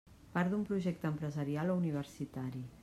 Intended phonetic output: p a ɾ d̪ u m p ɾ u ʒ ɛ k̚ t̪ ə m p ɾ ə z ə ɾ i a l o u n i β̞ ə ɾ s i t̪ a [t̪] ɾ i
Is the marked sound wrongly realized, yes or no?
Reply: yes